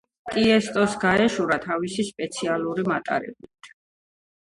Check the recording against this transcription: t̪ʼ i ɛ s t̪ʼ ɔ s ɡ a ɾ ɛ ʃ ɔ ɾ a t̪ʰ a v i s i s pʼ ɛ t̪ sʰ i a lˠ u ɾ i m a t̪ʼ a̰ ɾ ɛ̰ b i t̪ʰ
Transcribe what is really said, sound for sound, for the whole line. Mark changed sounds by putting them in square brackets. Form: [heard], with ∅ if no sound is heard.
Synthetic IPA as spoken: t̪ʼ i ɛ s t̪ʼ ɔ s ɡ a [∅] ɛ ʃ [u] ɾ a t̪ʰ a v i s i s pʼ ɛ t̪ sʰ i a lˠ u ɾ i m a t̪ʼ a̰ ɾ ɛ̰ b i t̪ʰ